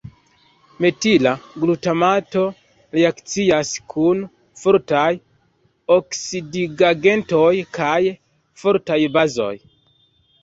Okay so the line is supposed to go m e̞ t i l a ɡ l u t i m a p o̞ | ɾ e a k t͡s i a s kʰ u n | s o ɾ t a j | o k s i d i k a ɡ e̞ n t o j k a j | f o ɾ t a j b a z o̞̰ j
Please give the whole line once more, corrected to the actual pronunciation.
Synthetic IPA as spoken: m e̞ t i l a ɡ l u t a m a t o̞ | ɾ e a k t͡s i a s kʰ u n | f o ɾ t a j | o k s i d i ɡ a ɡ e̞ n t o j k a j | f o ɾ t a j b a z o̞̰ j